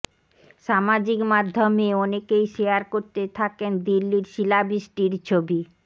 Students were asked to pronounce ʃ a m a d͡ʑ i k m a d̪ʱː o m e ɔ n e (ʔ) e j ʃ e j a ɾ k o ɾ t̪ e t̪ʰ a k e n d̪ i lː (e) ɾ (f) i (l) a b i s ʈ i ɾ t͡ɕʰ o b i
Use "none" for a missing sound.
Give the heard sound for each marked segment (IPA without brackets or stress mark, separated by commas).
k, i, ʃ, l